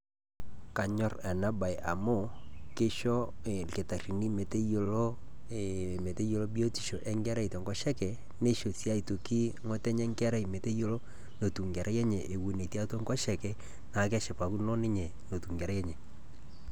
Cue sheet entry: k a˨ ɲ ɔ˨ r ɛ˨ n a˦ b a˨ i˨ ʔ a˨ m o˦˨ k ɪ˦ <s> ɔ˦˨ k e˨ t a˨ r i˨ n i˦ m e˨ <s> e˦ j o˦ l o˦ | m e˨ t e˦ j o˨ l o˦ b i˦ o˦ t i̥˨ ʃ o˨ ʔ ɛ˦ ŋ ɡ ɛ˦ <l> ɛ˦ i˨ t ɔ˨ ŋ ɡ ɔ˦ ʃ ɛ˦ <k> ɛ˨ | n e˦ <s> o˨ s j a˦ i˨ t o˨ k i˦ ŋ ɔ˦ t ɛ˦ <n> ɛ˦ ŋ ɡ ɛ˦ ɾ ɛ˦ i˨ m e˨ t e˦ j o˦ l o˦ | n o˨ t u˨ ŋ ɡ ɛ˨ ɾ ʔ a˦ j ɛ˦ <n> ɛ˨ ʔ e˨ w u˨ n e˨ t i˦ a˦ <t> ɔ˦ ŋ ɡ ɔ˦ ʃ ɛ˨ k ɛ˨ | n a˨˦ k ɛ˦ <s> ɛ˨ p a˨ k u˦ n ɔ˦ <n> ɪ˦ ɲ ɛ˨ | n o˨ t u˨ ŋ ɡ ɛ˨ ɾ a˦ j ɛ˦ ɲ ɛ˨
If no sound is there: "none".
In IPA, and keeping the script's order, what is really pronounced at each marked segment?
ʃ, t, ɾ, k, ʃ, ɲ, ɲ, t, ʃ, n

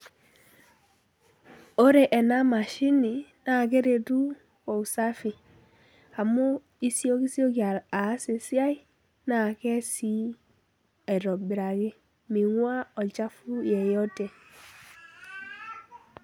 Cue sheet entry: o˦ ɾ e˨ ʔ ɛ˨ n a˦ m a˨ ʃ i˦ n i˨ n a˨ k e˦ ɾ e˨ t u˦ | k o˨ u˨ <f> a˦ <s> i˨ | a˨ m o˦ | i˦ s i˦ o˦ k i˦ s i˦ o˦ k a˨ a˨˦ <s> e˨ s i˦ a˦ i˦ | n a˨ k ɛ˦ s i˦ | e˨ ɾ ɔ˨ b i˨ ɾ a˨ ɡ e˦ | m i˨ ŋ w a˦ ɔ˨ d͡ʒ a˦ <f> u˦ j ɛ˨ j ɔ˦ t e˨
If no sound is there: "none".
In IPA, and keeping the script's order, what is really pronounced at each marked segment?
s, f, s, f

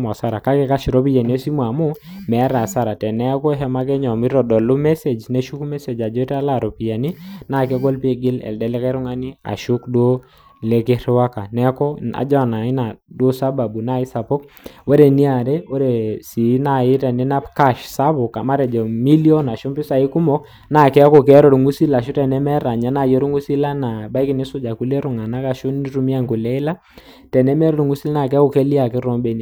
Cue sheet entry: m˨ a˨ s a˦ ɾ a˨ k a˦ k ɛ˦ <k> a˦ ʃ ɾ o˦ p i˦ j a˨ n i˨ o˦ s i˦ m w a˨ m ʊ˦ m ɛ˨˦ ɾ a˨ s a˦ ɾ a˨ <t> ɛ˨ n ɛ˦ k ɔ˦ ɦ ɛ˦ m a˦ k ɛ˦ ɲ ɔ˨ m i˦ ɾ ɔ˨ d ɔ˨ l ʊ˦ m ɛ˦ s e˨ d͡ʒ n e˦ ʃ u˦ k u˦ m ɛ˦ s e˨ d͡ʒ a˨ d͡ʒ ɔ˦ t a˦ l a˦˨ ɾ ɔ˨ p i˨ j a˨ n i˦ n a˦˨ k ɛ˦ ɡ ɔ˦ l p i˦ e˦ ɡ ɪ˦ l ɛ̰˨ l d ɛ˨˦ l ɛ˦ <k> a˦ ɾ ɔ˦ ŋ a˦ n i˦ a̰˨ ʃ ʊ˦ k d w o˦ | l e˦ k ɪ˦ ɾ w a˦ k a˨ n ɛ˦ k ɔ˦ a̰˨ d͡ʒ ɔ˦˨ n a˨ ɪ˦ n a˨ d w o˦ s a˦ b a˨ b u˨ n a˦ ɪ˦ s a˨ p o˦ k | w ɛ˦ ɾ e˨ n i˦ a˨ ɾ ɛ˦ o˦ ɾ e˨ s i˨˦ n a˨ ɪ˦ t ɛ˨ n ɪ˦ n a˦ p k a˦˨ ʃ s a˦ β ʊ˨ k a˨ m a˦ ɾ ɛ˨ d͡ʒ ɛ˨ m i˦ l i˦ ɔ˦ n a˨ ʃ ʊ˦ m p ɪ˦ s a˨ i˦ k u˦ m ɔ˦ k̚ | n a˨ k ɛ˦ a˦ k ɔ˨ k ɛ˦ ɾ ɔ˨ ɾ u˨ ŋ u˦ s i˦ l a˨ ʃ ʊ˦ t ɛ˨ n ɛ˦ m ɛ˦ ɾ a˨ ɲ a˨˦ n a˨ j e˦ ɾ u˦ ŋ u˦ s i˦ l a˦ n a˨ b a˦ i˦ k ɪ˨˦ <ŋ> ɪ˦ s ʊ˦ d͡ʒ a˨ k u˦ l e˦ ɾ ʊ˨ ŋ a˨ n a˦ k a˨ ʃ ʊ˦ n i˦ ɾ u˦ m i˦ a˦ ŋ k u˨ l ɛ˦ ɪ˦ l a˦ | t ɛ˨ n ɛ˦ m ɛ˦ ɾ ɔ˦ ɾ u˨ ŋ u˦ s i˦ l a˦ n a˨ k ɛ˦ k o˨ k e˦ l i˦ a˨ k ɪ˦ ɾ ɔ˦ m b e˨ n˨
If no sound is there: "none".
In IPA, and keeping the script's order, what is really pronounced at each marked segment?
k, t, k, n

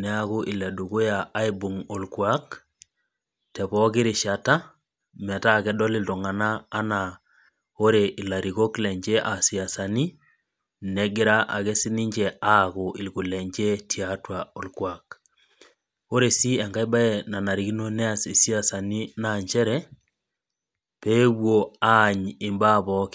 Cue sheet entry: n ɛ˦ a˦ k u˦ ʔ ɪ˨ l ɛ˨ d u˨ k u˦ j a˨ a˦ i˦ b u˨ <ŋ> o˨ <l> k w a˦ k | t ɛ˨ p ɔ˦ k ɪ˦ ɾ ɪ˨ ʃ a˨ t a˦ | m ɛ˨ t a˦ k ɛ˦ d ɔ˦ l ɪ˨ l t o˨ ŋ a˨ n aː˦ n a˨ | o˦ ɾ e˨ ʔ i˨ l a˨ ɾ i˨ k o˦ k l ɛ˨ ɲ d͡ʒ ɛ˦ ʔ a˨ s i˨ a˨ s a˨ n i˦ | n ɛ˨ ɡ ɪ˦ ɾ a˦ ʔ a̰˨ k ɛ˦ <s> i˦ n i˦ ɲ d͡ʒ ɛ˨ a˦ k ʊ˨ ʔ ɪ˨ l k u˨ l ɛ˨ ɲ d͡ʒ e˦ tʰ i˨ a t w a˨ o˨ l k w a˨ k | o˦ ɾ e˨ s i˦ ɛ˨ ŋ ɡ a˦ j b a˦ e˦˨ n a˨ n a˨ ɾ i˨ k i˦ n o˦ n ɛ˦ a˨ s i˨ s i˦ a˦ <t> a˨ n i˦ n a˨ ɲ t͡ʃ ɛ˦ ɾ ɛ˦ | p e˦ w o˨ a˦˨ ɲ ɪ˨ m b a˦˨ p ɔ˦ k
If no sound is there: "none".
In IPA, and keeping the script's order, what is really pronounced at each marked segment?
ŋ, l, s, s

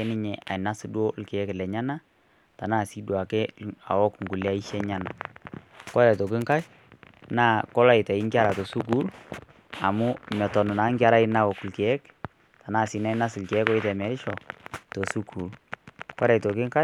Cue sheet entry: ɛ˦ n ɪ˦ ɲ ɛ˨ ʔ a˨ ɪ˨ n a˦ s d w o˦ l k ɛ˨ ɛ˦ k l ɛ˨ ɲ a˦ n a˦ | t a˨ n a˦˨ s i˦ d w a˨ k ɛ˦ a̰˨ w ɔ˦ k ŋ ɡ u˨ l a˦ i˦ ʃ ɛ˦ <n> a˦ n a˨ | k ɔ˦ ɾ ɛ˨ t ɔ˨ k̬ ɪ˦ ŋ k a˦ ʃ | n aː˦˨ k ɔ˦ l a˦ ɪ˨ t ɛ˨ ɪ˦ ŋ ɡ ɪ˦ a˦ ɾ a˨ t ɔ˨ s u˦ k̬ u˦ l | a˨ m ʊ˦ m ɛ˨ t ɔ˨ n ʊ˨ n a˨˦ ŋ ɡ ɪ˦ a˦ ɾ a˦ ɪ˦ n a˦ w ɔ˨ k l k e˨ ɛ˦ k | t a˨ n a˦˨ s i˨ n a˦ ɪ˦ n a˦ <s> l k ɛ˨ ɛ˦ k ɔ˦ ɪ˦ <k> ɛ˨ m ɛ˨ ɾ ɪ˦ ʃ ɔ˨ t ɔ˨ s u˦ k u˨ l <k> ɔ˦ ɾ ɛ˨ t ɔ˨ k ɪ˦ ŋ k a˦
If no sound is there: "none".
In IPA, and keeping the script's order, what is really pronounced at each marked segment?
ɲ, s, t, k

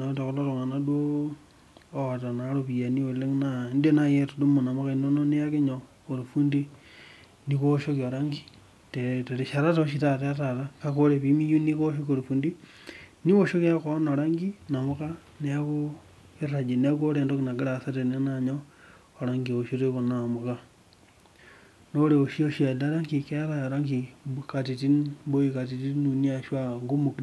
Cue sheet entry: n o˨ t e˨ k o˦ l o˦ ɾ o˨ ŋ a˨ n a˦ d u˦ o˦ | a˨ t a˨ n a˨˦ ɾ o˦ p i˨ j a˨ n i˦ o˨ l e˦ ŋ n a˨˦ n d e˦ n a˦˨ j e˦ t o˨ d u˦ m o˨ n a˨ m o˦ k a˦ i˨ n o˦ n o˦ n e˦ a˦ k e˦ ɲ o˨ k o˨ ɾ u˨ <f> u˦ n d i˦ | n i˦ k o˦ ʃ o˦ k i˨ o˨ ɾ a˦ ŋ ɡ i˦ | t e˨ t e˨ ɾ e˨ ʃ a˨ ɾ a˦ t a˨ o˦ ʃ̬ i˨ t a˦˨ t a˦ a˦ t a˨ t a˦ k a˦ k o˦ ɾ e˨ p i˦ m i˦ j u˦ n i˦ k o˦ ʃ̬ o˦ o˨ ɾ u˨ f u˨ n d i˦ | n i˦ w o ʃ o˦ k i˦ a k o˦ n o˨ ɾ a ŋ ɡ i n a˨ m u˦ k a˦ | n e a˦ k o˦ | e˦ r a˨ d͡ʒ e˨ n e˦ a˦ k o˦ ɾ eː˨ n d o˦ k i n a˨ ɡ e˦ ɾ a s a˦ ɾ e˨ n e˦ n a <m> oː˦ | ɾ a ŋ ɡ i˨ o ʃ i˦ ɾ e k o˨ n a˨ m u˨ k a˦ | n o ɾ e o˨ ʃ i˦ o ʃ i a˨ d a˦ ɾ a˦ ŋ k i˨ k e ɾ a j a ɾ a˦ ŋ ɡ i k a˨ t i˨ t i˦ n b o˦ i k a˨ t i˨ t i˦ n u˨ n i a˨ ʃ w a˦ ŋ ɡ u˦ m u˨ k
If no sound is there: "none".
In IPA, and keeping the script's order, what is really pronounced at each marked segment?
f, ɲ

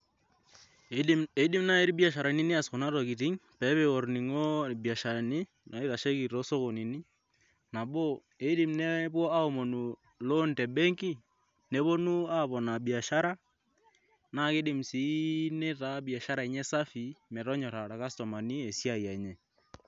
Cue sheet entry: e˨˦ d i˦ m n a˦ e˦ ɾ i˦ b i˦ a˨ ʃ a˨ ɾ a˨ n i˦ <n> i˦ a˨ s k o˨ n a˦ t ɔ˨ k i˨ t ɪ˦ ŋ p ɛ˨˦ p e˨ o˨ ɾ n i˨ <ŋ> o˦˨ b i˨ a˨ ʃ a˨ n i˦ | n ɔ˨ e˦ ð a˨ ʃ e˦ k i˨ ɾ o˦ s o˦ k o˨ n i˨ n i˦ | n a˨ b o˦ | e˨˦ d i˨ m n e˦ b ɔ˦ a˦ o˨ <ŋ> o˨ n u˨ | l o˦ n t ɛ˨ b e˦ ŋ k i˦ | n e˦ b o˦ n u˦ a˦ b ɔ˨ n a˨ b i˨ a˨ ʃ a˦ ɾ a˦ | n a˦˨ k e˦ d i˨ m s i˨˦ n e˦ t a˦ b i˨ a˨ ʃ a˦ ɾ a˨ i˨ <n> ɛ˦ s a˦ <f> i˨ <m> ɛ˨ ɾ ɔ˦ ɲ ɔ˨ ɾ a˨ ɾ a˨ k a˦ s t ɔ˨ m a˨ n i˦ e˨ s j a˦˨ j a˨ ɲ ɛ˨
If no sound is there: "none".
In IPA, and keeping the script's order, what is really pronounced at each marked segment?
n, ŋ, m, ɲ, f, m

